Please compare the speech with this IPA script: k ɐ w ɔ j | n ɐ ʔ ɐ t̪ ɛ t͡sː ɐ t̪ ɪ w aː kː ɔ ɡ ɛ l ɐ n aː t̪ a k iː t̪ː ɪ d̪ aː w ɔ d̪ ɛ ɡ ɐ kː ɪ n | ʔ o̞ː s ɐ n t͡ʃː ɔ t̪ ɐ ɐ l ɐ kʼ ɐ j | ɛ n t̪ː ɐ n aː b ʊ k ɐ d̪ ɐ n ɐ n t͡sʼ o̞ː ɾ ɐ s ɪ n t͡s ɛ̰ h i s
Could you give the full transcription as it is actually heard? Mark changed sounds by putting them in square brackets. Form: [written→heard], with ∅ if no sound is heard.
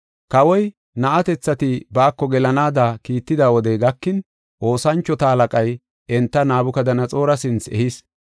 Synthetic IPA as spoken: k ɐ w ɔ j | n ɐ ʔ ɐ t̪ ɛ t͡sː ɐ t̪ ɪ [w→b] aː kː ɔ ɡ ɛ l ɐ n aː [t̪→d̪] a k iː t̪ː ɪ d̪ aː w ɔ d̪ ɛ ɡ ɐ kː ɪ n | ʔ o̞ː s ɐ n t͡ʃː ɔ t̪ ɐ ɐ l ɐ kʼ ɐ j | ɛ n t̪ː ɐ n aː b ʊ k ɐ d̪ ɐ n ɐ [n→∅] t͡sʼ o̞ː ɾ ɐ s ɪ n t͡s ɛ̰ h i s

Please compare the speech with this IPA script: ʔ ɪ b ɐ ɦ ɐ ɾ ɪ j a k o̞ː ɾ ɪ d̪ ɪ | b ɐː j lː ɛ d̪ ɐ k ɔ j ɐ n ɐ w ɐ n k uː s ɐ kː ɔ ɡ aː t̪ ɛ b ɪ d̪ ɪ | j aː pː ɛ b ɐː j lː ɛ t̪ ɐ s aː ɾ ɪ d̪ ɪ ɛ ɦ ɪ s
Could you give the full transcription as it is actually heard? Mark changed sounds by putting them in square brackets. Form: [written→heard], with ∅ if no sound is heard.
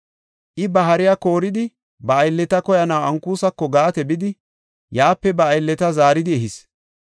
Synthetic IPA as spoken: ʔ ɪ b ɐ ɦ ɐ ɾ ɪ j a k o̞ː ɾ ɪ d̪ ɪ | b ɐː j lː ɛ [d̪→t̪] ɐ k ɔ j ɐ n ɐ w ɐ [n→ŋ] k uː s ɐ kː ɔ ɡ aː t̪ ɛ b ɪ d̪ ɪ | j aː pː ɛ b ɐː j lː ɛ t̪ ɐ [s→z] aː ɾ ɪ d̪ ɪ ɛ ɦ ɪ s

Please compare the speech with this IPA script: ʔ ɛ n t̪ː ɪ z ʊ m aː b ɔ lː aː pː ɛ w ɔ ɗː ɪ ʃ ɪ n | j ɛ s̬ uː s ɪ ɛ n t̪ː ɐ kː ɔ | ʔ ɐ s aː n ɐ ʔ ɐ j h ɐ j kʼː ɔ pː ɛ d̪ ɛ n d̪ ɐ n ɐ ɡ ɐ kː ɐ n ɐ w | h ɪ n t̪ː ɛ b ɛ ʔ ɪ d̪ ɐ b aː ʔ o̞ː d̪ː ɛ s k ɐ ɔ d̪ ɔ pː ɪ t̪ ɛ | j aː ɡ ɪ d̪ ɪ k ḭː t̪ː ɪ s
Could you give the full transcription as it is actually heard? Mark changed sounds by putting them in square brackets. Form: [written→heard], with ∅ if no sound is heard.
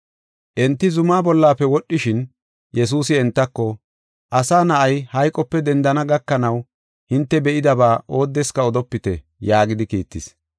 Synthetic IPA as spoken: ʔ ɛ n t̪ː ɪ z ʊ m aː b ɔ lː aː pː ɛ w ɔ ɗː ɪ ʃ ɪ n | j ɛ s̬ uː s ɪ ɛ n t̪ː ɐ kː ɔ | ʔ ɐ s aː n ɐ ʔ ɐ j h ɐ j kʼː ɔ pː ɛ d̪ ɛ n d̪ ɐ n ɐ ɡ ɐ kː ɐ n ɐ w | h ɪ n t̪ː ɛ b ɛ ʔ ɪ d̪ ɐ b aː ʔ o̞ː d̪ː ɛ s k ɐ ɔ d̪ ɔ pː ɪ t̪ ɛ | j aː ɡ ɪ d̪ ɪ k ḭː t̪ː ɪ s

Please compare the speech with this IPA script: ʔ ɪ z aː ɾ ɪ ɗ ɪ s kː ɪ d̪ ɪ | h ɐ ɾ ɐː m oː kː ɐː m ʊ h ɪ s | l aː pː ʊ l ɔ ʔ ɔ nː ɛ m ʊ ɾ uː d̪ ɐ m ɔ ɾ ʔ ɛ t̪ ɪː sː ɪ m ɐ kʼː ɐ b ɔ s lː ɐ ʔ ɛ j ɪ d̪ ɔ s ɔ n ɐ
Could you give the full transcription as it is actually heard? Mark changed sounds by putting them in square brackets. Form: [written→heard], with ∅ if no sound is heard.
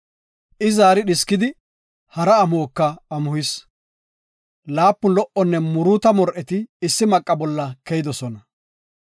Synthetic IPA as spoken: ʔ ɪ z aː ɾ ɪ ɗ ɪ s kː ɪ d̪ ɪ | h ɐ ɾ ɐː m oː kː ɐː m ʊ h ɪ s | l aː pː ʊ l ɔ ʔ ɔ nː ɛ m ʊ ɾ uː [d̪→t̪] ɐ m ɔ ɾ ʔ ɛ t̪ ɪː sː ɪ m ɐ kʼː ɐ b ɔ [s→∅] lː ɐ [ʔ→k] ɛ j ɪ d̪ ɔ s ɔ n ɐ

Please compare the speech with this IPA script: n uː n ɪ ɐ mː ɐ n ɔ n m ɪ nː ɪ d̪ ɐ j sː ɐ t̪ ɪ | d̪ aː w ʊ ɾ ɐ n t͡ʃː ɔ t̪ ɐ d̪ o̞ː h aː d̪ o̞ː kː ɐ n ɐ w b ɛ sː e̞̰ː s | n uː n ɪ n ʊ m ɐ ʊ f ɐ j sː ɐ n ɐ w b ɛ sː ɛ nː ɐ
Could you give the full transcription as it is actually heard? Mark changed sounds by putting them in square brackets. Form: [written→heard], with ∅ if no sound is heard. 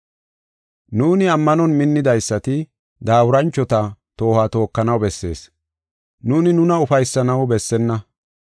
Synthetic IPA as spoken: n uː n ɪ ɐ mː ɐ n ɔ n m ɪ nː ɪ d̪ ɐ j sː ɐ t̪ ɪ | d̪ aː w ʊ ɾ ɐ n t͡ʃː ɔ t̪ ɐ [d̪→t̪] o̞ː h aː [d̪→t̪] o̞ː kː ɐ n ɐ w b ɛ sː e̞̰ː s | n uː n ɪ n ʊ [m→n] ɐ ʊ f ɐ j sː ɐ n ɐ w b ɛ sː ɛ nː ɐ

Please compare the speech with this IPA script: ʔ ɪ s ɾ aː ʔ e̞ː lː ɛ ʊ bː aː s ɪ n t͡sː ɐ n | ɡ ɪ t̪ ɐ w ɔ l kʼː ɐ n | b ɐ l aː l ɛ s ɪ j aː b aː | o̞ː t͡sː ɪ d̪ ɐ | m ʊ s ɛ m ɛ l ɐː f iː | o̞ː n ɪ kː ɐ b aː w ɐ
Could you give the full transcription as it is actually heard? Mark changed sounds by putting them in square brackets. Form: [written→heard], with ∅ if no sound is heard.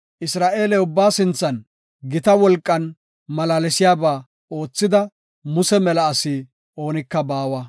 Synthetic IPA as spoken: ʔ ɪ s ɾ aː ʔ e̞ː [lː→l] ɛ ʊ bː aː s ɪ n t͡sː ɐ n | ɡ ɪ t̪ ɐ w ɔ l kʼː ɐ n | [b→m] ɐ l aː l ɛ s ɪ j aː b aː | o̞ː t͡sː ɪ d̪ ɐ | m ʊ s ɛ m ɛ l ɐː [f→s] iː | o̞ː n ɪ kː ɐ b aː w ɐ

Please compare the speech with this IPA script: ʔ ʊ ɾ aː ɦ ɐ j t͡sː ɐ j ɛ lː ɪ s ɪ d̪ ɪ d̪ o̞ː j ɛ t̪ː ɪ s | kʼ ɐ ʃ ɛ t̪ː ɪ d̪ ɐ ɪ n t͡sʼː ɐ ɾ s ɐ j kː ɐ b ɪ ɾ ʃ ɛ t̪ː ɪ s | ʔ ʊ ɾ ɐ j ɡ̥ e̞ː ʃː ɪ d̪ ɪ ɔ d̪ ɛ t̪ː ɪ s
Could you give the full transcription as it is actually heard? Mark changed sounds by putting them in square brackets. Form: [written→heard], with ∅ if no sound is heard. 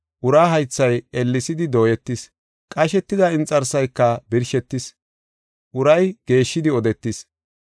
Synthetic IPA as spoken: ʔ ʊ ɾ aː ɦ ɐ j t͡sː ɐ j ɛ lː ɪ s ɪ d̪ ɪ d̪ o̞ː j ɛ t̪ː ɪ s | kʼ ɐ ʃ ɛ t̪ː ɪ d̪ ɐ ɪ n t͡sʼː ɐ ɾ s ɐ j kː ɐ b ɪ ɾ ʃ ɛ t̪ː ɪ s | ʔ ʊ ɾ ɐ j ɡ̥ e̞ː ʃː ɪ d̪ ɪ ɔ d̪ ɛ t̪ː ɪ s

